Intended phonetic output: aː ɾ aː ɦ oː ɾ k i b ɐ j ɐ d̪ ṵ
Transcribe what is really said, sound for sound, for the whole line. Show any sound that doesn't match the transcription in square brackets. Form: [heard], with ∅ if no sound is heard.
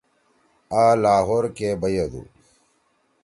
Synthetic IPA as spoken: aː [l] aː ɦ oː ɾ k [e] b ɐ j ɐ d̪ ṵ